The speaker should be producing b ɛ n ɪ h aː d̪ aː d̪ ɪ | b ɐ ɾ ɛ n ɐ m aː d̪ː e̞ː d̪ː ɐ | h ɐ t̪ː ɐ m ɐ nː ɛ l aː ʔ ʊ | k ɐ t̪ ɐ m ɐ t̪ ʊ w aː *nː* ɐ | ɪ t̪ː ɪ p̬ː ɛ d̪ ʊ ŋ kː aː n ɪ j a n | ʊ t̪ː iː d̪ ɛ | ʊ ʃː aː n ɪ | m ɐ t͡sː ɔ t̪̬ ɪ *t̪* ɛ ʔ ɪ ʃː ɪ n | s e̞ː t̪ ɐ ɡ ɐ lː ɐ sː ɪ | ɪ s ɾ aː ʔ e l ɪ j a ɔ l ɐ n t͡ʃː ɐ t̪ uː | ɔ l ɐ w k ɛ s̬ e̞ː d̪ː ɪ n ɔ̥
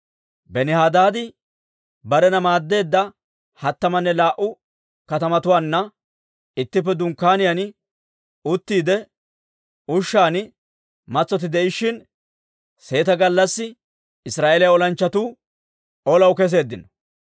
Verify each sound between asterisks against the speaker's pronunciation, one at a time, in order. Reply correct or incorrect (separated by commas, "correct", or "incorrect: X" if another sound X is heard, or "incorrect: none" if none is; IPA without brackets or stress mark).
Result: correct, incorrect: d̪